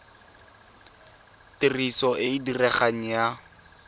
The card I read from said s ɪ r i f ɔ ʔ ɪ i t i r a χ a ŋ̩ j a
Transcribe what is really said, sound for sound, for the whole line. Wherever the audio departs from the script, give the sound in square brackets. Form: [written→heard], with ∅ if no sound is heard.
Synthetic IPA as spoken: [s→t] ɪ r i [f→s] ɔ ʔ ɪ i [t→d] i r [a→ɛ] χ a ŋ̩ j a